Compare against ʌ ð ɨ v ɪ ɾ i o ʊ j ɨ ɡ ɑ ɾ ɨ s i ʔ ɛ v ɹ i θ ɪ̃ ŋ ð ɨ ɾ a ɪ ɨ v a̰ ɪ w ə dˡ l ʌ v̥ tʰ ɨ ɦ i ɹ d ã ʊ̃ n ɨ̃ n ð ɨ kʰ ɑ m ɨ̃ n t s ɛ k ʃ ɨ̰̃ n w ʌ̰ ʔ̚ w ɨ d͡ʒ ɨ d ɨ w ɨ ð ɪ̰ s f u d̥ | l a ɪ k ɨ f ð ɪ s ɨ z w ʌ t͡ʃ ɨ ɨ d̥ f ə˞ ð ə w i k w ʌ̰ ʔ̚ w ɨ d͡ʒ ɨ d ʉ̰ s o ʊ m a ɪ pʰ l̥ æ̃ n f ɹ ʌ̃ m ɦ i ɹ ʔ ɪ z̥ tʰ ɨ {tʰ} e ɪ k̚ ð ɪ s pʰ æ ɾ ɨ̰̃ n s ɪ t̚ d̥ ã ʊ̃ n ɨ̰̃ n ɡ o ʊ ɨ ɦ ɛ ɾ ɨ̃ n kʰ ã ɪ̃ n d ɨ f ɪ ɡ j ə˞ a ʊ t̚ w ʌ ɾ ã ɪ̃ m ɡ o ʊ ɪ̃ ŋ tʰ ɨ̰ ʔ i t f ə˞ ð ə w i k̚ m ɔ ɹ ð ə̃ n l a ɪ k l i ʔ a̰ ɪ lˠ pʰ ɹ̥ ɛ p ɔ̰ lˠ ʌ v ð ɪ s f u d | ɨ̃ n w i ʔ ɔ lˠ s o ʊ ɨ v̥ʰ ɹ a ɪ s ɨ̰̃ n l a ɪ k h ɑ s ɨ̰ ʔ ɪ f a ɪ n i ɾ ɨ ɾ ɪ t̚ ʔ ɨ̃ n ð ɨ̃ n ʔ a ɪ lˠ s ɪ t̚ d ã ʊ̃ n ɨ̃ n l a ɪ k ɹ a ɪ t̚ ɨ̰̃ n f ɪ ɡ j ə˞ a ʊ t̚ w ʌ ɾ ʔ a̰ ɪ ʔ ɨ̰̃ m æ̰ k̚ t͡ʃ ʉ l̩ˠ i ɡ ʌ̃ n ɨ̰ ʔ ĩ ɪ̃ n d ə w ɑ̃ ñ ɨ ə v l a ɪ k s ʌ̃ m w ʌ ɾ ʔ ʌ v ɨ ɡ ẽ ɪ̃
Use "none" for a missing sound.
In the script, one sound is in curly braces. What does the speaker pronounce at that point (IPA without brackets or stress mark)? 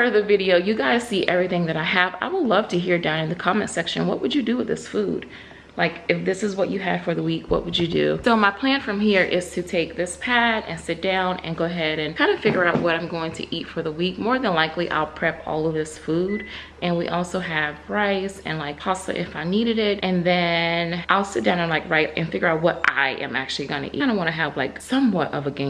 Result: tʰ